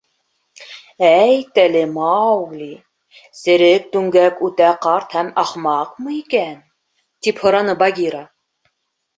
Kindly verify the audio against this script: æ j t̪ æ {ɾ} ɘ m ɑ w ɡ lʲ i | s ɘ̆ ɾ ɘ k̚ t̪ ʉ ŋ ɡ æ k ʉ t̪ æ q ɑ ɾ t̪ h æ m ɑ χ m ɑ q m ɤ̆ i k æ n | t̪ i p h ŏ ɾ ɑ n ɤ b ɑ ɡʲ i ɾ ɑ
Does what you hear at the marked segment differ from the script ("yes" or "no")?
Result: yes